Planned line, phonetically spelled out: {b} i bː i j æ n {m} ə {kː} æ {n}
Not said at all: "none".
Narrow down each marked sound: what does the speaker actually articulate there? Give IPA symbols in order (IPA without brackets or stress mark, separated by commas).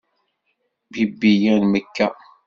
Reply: b, m, kː, none